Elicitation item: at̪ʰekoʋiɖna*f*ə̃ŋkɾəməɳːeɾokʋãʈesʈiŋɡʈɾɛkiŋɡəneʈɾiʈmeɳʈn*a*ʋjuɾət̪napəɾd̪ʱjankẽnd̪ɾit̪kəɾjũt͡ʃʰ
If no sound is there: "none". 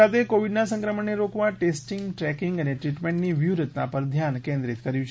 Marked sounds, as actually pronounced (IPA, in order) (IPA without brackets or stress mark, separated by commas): s, i